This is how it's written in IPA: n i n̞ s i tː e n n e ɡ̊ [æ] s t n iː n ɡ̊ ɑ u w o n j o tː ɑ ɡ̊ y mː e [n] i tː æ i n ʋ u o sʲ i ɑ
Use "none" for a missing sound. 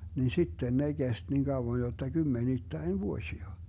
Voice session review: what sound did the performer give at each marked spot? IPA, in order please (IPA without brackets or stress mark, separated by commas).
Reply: e, n